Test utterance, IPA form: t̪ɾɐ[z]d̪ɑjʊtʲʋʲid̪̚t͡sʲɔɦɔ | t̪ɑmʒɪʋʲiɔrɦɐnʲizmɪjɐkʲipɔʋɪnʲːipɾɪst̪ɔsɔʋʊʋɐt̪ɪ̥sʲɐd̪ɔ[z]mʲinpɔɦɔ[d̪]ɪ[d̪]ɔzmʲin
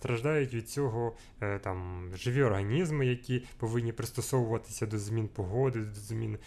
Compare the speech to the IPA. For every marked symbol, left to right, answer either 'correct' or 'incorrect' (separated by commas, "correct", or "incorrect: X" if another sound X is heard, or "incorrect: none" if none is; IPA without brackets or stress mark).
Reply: incorrect: ʒ, correct, correct, correct